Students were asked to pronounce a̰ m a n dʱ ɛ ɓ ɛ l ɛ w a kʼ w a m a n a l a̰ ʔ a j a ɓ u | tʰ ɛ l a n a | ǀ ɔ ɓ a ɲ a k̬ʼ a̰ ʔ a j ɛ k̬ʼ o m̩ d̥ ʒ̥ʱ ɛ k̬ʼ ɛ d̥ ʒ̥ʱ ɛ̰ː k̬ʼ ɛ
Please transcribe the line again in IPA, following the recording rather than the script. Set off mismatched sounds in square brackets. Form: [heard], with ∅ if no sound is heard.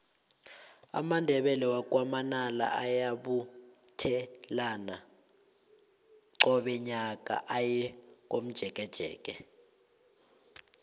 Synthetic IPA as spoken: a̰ m a n dʱ ɛ ɓ ɛ l ɛ w a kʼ w a m a n a l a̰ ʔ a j a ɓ u | tʰ ɛ l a n a | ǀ ɔ ɓ [ɛ] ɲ a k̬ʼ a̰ ʔ a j ɛ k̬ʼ o m̩ d̥ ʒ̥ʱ ɛ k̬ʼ ɛ d̥ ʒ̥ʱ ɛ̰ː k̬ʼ ɛ